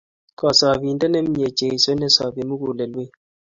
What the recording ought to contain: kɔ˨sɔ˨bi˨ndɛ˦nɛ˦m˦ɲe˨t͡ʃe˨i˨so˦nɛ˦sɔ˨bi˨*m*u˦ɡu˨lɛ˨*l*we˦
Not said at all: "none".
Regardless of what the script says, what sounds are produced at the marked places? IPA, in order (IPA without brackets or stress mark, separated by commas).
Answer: m, l